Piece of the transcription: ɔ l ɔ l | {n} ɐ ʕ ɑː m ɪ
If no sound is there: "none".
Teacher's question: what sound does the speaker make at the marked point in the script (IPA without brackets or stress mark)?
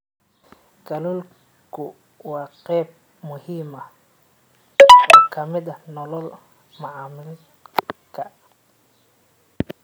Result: m